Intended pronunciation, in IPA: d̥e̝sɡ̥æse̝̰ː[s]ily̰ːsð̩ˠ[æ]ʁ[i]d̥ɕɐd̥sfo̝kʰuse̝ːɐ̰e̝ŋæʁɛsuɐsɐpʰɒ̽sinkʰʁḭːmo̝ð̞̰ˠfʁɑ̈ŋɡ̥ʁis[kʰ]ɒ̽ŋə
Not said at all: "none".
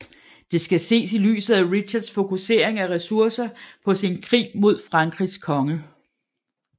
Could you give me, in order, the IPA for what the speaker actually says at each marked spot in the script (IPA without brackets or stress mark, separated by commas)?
s, æ, i, kʰ